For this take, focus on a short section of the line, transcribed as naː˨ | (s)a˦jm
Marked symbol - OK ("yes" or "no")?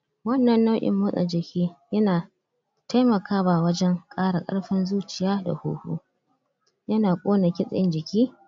no